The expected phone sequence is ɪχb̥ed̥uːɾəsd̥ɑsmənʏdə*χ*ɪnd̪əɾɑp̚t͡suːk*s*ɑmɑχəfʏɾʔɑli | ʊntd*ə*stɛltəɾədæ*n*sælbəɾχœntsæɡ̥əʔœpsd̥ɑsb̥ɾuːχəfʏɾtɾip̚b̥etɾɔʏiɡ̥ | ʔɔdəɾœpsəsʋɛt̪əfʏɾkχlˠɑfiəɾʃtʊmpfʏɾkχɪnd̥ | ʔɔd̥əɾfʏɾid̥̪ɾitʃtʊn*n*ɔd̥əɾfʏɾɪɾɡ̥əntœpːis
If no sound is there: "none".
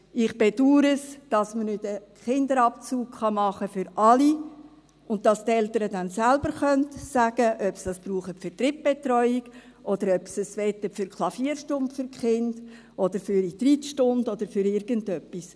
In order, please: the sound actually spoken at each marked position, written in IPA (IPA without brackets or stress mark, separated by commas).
χ, χ, ɑ, n, d